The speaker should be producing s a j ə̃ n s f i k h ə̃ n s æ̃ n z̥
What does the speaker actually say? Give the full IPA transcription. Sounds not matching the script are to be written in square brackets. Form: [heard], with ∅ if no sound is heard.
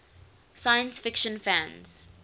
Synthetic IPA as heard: s a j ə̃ n s f [ɪ] k [ʃ] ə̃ n [f] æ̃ n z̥

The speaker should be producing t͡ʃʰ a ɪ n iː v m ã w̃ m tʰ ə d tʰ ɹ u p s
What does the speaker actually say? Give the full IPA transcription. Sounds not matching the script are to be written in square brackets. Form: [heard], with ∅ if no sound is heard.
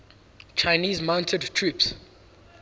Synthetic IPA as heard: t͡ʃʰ a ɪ n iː [z] m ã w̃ [n] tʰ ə d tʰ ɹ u p s

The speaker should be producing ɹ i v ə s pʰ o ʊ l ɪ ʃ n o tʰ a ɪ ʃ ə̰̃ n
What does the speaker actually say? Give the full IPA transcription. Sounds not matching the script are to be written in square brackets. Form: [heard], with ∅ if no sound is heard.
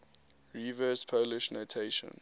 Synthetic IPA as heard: ɹ i v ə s pʰ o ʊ l ɪ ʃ n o tʰ [e] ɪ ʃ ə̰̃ n

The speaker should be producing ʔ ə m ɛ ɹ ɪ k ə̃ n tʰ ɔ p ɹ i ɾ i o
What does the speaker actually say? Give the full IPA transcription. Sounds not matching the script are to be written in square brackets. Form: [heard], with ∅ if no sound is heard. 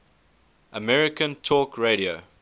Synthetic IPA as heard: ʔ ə m ɛ ɹ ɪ k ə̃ n tʰ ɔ [k] ɹ [e] ɾ i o

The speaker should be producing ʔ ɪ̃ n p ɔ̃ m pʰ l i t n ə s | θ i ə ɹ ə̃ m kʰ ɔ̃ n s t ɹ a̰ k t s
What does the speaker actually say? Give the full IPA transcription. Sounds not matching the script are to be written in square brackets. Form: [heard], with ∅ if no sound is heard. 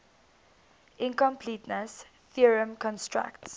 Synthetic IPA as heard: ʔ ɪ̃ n [k] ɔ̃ m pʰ l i t n ə s | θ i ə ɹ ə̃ m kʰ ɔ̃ n s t ɹ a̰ k t s

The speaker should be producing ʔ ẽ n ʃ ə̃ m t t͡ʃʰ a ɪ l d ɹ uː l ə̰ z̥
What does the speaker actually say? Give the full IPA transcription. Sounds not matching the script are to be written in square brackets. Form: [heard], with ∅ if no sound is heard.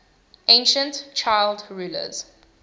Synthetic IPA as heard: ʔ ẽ n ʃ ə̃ [n] t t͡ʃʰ a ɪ l d ɹ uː l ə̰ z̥

